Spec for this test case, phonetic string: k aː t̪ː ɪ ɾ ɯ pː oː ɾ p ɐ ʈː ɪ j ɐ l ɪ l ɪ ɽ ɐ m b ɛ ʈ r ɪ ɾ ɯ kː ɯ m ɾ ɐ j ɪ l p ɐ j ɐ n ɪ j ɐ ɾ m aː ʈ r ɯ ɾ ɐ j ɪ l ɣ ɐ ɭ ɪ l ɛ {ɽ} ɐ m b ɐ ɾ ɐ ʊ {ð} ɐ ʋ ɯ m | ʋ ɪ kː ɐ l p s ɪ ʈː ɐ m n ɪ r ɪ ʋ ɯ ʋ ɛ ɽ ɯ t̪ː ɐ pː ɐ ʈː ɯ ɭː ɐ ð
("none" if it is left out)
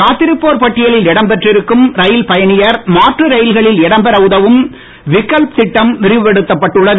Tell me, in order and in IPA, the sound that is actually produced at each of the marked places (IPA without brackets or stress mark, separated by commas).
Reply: ɽ, ð